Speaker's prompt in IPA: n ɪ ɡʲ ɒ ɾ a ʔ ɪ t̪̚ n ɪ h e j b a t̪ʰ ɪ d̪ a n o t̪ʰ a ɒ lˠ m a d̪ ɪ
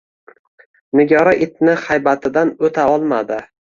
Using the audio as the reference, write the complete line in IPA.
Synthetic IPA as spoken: n ɪ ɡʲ ɒ ɾ a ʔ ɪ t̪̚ n ɪ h a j b a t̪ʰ ɪ d̪ a n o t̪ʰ a ɒ lˠ m a d̪ ɪ